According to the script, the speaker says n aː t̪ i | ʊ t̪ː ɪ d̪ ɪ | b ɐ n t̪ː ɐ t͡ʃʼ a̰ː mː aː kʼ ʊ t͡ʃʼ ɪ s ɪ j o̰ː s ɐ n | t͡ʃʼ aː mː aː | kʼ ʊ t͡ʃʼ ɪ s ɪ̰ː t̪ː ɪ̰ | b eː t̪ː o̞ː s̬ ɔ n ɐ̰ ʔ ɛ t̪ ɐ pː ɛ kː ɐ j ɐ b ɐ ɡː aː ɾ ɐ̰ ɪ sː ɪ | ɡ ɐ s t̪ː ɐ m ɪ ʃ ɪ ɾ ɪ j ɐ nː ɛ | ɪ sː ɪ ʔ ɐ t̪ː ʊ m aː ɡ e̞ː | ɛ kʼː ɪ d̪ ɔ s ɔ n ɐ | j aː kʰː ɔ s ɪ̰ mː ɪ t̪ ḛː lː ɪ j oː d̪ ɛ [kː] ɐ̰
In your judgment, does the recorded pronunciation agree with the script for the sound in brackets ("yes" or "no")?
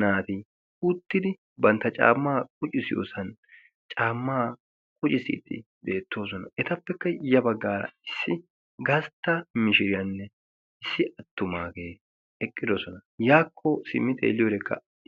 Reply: yes